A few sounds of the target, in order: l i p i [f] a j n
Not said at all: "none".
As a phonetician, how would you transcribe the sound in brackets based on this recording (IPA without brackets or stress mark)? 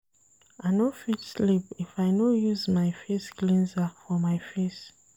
f